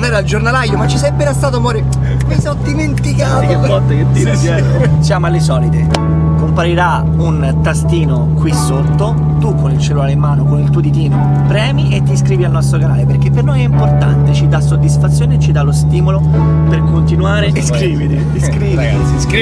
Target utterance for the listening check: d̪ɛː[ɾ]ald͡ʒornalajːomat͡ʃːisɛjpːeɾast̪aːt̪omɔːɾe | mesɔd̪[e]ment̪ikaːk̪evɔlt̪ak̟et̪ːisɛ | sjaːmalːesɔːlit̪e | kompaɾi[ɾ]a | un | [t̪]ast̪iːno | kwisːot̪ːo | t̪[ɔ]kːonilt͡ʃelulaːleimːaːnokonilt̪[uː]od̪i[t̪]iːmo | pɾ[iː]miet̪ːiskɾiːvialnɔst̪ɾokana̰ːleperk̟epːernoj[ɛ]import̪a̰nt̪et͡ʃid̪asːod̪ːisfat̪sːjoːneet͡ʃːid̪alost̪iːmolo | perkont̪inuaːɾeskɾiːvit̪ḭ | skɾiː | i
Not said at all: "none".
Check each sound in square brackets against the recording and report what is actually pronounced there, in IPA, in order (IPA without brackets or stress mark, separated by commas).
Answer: ɾ, i, ɾ, t̪, u, u, t̪, ɛː, ɛ